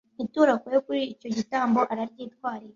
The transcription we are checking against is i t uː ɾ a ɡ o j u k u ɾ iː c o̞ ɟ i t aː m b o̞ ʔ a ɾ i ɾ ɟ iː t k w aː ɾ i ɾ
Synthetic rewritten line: i t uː ɾ a k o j o k u ɾ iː c o̞ ɟ i t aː m b o̞ ʔ a ɾ a ɾ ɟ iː t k w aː ɾ i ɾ